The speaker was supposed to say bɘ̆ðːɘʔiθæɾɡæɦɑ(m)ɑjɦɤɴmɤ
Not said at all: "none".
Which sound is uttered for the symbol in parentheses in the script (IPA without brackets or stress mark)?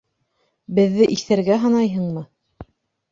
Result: n